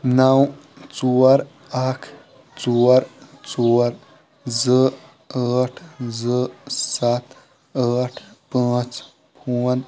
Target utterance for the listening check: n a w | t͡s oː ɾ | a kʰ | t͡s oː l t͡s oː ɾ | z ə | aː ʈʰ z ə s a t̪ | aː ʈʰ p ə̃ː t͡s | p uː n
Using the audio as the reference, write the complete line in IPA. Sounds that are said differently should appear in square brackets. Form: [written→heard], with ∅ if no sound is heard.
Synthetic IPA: n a w | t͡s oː ɾ | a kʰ | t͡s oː [l→ɾ] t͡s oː ɾ | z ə | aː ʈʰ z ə s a t̪ | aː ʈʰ p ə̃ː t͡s | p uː n